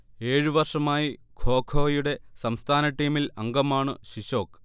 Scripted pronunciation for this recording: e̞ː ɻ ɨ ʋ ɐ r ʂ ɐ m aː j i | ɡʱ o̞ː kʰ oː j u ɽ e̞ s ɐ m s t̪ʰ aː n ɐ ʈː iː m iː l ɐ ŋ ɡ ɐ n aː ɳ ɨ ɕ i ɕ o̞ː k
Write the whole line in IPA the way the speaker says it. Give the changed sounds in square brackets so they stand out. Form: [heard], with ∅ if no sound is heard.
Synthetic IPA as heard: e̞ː ɻ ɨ ʋ ɐ r ʂ ɐ m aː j i | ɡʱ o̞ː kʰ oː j u ɽ e̞ s ɐ m s t̪ʰ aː n ɐ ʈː iː m [i] l ɐ ŋ ɡ ɐ [m] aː ɳ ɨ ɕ i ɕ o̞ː k